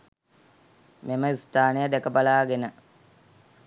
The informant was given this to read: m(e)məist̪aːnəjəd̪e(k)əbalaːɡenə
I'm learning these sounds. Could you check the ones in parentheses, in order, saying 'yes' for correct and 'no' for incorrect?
yes, yes

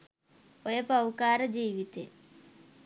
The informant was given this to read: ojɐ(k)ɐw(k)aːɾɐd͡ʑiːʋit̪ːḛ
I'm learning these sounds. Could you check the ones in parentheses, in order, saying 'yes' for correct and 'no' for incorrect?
no, yes

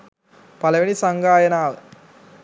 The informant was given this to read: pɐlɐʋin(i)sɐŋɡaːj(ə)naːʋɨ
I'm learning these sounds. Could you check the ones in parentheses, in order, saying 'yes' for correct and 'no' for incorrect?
yes, no

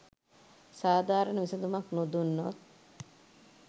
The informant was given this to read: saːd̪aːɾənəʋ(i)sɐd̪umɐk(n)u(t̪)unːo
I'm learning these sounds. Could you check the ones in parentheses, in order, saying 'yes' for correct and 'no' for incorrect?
yes, yes, no

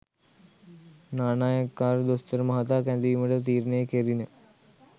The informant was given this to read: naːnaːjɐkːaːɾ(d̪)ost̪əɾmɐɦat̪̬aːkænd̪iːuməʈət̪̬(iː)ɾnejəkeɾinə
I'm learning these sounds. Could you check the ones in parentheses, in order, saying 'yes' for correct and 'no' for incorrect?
yes, yes

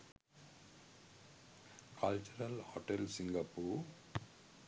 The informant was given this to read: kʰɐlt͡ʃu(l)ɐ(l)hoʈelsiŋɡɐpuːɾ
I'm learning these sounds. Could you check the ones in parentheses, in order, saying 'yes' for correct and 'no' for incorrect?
no, yes

